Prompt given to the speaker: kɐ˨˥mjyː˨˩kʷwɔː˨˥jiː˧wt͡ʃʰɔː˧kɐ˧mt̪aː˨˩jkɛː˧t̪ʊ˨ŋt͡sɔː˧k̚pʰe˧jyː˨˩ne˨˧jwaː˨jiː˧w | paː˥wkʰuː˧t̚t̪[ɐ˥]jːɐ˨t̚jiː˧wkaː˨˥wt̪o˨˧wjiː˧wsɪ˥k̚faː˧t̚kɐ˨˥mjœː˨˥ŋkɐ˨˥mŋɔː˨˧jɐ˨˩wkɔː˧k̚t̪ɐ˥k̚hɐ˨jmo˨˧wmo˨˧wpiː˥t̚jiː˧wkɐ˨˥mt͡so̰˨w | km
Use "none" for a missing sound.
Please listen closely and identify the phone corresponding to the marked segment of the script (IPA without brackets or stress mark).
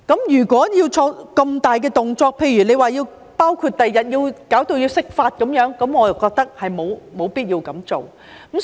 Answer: ɐ˨